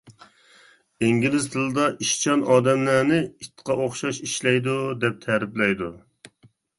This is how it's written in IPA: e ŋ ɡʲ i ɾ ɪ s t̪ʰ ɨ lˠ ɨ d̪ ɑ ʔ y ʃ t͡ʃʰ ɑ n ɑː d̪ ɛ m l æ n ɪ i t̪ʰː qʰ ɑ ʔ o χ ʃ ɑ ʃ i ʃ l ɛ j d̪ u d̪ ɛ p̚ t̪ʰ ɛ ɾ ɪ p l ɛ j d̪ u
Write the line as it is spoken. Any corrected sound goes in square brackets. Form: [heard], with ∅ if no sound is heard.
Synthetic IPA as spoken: e ŋ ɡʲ i [l] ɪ [z] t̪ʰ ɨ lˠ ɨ d̪ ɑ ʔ [i] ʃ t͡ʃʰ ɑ n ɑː d̪ ɛ m l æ n ɪ i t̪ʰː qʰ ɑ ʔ o χ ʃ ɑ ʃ i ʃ l ɛ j d̪ u d̪ ɛ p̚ t̪ʰ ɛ ɾ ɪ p l ɛ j d̪ u